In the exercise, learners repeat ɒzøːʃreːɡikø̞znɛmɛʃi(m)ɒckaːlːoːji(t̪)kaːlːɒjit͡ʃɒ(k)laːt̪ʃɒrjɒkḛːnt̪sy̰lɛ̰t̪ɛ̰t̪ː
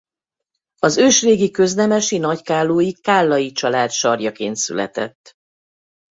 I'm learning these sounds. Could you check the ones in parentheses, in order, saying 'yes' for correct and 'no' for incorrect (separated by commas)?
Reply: no, no, no